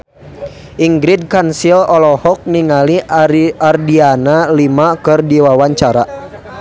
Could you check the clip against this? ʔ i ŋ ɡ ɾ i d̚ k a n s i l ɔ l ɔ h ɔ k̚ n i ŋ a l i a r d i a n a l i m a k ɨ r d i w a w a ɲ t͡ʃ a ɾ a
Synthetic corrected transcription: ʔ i ŋ ɡ ɾ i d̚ k a n s i l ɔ l ɔ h ɔ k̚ n i ŋ a l i a r d i a n a l i m a k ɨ r d i w a w a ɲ t͡ʃ a ɾ a